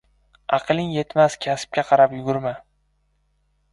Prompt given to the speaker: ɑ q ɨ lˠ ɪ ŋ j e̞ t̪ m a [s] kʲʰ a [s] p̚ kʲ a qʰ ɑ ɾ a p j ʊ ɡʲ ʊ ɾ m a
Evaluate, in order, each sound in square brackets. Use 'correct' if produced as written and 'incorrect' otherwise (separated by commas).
correct, correct